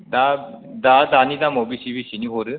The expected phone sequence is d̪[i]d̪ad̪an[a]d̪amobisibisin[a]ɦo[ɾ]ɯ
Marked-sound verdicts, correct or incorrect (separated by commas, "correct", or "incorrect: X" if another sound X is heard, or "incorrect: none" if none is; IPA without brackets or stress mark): incorrect: a, incorrect: i, incorrect: i, correct